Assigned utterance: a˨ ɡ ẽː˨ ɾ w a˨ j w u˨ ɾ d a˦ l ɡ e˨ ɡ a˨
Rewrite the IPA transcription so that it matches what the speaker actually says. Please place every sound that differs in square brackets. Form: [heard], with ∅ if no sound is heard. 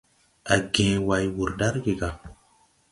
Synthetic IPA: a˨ ɡ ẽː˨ [∅] w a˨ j w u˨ ɾ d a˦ [ɾ] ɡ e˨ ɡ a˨